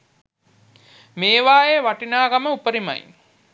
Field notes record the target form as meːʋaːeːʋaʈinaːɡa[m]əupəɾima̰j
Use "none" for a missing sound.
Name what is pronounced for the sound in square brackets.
m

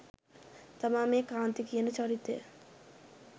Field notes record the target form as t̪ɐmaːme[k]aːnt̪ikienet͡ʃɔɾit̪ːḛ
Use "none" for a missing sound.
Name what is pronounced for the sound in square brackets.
k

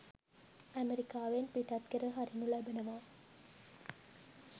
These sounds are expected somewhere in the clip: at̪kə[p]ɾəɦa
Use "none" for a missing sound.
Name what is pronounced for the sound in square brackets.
none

